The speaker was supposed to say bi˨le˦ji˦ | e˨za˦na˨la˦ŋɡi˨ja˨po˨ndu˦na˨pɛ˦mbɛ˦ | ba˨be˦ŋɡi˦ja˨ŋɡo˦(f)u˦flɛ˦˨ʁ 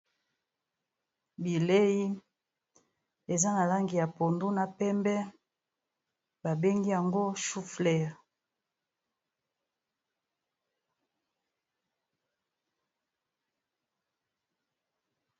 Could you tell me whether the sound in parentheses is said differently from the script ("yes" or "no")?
yes